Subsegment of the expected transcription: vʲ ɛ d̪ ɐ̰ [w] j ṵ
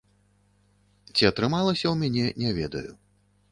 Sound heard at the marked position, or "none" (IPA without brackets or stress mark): none